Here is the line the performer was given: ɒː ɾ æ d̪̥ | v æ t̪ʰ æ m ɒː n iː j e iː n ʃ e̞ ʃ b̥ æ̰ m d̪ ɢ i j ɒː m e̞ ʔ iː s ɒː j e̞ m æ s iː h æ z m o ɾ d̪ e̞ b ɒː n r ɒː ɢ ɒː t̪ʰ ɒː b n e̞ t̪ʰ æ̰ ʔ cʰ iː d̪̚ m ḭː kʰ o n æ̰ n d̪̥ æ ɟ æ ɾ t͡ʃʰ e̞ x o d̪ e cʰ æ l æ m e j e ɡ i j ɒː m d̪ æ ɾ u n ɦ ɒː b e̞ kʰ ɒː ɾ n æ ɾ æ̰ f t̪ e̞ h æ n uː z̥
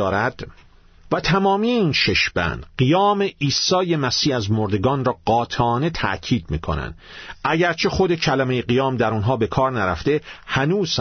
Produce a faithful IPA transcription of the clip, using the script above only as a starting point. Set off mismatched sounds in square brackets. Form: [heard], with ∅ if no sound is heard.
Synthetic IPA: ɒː ɾ æ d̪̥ | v æ t̪ʰ æ m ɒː [m] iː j e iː n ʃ e̞ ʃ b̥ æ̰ [n] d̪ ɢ i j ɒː m e̞ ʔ iː s ɒː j e̞ m æ s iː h æ z m o ɾ d̪ e̞ [ɡ] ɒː n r ɒː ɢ ɒː t̪ʰ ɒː [∅] n e̞ t̪ʰ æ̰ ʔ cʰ iː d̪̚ m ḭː kʰ o n æ̰ n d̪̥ æ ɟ æ ɾ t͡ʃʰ e̞ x o d̪ e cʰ æ l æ m e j e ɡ i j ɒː m d̪ æ ɾ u n ɦ ɒː b e̞ kʰ ɒː ɾ n æ ɾ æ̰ f t̪ e̞ h æ n uː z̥